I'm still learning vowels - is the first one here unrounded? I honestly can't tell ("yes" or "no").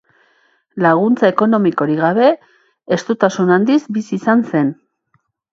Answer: yes